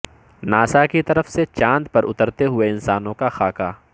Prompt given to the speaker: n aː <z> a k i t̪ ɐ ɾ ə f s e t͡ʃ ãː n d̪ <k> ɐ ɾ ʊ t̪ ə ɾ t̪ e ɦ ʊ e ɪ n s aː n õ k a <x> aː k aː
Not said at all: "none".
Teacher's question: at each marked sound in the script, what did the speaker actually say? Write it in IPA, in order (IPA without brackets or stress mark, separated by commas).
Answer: s, p, x